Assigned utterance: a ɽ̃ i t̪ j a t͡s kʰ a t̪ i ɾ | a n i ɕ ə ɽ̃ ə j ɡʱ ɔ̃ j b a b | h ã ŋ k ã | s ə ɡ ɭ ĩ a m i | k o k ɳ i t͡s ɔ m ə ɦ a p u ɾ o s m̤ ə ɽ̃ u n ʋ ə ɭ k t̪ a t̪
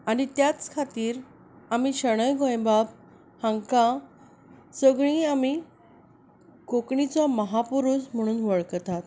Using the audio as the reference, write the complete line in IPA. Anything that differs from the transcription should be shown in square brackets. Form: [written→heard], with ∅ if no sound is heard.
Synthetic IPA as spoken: a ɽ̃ i t̪ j a t͡s kʰ a t̪ [i→iː] ɾ | a [n→m] i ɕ ə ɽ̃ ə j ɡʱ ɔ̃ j b a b | h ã ŋ k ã | s ə ɡ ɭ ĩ a m i | k o k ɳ i t͡s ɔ m ə ɦ a p u ɾ [o→u] s m̤ ə ɽ̃ [u→uː] n ʋ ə ɭ k t̪ a t̪